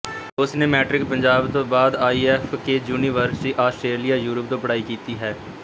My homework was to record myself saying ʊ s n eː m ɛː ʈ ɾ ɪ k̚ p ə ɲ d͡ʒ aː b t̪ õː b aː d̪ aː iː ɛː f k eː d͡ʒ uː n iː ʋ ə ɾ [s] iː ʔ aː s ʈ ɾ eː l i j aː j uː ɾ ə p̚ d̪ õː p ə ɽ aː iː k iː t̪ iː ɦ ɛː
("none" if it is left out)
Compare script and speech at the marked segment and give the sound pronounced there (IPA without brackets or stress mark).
s